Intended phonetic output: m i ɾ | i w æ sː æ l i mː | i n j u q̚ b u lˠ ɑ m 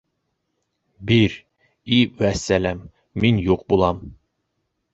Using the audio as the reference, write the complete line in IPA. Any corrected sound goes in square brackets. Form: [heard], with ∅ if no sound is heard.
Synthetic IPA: [b] i ɾ | i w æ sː æ l [æ] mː | i n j u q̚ b u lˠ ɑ m